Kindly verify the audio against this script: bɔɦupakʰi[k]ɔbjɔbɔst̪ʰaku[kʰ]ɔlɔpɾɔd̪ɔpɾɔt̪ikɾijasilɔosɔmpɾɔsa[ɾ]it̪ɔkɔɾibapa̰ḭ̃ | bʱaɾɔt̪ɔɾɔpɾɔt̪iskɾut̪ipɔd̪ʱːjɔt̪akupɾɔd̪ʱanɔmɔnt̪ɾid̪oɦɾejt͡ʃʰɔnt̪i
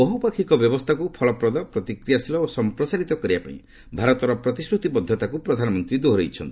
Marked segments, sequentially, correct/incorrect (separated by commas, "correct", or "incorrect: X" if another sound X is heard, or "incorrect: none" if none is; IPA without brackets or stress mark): correct, incorrect: pʰ, correct